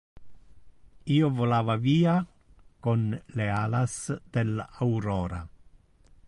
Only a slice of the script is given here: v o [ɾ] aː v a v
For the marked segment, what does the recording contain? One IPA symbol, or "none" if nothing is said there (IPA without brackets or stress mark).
l